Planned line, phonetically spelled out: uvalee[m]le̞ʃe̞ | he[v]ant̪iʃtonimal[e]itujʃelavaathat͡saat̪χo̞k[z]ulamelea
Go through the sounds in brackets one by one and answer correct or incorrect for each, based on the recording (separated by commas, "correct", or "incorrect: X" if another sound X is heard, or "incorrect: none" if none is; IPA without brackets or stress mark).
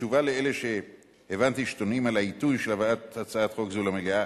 incorrect: none, correct, incorrect: a, correct